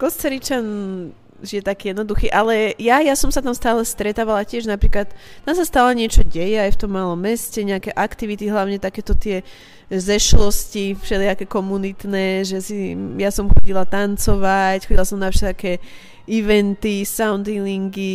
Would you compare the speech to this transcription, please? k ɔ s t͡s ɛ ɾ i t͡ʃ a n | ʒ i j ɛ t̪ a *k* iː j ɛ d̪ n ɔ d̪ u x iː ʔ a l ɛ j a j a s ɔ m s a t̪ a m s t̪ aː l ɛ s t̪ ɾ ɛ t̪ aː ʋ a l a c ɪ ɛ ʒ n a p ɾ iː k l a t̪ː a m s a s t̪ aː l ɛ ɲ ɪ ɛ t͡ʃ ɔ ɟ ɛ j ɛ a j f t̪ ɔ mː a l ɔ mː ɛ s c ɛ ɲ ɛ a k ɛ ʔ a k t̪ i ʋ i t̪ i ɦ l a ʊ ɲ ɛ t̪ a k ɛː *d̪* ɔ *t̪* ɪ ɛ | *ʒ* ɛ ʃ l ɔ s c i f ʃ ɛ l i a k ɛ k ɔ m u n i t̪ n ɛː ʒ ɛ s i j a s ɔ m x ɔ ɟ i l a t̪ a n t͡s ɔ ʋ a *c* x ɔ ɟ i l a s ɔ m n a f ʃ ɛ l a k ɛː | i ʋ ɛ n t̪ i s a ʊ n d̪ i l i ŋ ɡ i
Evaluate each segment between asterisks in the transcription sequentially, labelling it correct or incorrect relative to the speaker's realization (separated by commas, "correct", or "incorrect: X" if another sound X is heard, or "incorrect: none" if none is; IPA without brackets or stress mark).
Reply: correct, incorrect: t̪, correct, incorrect: z, correct